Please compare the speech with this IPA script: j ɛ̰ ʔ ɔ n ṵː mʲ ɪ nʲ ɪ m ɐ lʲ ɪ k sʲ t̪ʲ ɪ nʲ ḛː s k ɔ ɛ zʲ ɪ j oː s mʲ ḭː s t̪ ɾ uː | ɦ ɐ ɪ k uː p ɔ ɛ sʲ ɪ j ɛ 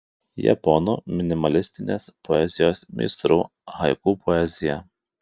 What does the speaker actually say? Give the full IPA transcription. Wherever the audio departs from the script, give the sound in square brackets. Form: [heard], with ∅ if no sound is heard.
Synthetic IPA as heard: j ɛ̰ [p] ɔ n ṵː mʲ ɪ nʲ ɪ m ɐ lʲ ɪ [∅] sʲ t̪ʲ ɪ nʲ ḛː s [p] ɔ ɛ zʲ ɪ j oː s mʲ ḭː s t̪ ɾ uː | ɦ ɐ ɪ k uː p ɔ ɛ [zʲ] ɪ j ɛ